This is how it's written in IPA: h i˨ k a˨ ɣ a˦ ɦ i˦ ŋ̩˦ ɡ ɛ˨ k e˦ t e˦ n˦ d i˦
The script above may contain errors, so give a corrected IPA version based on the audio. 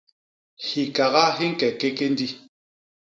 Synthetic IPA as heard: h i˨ k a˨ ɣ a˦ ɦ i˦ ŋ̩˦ k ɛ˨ k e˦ k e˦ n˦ d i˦